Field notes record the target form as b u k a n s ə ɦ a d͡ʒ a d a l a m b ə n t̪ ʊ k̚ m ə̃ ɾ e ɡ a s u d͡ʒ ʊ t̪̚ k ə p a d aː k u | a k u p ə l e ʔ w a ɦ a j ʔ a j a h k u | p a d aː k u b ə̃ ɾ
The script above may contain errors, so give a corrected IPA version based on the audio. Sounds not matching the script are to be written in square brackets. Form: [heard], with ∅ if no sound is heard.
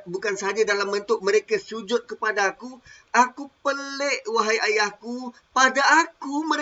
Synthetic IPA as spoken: b u k a n s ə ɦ a d͡ʒ a d a l a m b ə n t̪ ʊ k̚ m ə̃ ɾ e [k] a s u d͡ʒ ʊ t̪̚ k ə p a d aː k u | a k u p ə l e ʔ w a ɦ a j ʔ a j a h k u | p a d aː k u [m] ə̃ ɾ